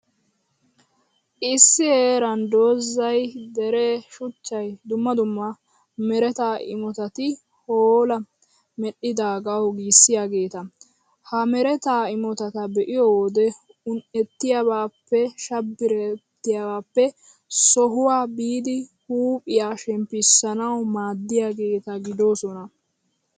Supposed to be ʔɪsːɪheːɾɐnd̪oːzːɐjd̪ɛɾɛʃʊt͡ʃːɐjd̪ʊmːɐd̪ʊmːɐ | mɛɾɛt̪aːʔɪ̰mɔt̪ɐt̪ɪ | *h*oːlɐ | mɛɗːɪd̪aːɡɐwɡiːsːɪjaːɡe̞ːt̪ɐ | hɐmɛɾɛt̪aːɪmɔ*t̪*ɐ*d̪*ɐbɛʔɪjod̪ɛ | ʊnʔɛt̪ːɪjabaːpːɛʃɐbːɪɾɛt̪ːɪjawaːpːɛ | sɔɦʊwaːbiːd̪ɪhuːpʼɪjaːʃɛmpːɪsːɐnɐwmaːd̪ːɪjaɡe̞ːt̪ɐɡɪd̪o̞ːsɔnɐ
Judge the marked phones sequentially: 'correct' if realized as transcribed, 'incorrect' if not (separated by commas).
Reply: correct, correct, incorrect